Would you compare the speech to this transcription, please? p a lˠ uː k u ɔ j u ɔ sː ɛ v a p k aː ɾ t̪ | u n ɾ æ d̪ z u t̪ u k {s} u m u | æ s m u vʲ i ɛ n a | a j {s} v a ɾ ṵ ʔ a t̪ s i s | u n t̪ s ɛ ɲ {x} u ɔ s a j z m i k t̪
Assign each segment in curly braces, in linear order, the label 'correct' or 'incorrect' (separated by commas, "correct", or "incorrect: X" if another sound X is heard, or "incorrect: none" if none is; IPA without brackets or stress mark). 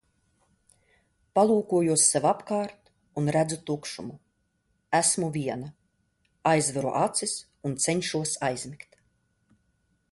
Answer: incorrect: ʃ, incorrect: z, incorrect: ʃ